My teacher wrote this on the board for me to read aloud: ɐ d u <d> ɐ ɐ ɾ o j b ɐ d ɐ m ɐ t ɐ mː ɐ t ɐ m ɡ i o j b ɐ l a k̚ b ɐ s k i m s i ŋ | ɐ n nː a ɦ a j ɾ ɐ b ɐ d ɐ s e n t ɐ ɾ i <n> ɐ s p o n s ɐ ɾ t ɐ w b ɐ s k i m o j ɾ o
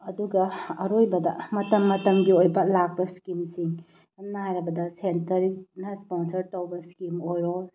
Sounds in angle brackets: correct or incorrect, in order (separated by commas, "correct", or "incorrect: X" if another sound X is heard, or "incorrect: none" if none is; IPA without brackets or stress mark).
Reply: incorrect: ɡ, correct